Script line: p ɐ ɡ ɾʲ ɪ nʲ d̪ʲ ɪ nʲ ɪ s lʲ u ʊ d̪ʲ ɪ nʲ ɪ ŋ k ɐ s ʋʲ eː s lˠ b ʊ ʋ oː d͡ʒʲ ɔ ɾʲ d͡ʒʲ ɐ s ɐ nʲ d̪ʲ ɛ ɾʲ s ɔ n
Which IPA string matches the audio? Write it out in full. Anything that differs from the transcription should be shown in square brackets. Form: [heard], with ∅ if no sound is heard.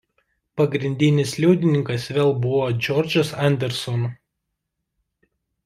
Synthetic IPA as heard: p ɐ ɡ ɾʲ ɪ nʲ d̪ʲ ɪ nʲ ɪ s lʲ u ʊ d̪ʲ ɪ nʲ ɪ ŋ k ɐ s ʋʲ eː [∅] lˠ b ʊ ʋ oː d͡ʒʲ ɔ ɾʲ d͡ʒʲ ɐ s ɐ nʲ d̪ʲ ɛ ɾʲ s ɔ n